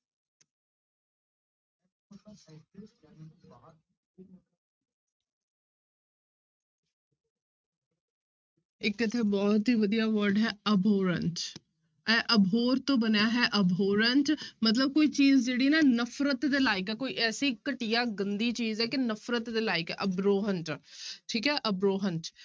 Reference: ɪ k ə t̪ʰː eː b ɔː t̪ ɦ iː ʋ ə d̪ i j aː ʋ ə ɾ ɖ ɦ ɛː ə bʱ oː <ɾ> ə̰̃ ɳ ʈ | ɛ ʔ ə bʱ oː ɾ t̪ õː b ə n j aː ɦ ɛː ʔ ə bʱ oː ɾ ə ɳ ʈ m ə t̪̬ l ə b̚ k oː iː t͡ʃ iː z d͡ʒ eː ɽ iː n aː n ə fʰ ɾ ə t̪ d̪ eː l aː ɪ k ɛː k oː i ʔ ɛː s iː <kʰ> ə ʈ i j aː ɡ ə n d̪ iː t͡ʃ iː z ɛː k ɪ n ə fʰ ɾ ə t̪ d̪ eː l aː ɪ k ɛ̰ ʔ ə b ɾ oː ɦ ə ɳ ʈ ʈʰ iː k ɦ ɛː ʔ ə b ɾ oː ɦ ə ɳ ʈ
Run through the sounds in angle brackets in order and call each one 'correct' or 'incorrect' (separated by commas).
correct, incorrect